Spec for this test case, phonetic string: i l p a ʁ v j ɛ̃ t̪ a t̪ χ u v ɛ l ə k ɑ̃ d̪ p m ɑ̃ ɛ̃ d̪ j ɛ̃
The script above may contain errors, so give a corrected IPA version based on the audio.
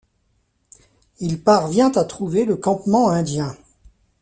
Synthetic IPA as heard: i l p a ʁ v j ɛ̃ t̪ a t̪ χ u v e l ə k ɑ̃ p m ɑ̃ ɛ̃ d̪ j ɛ̃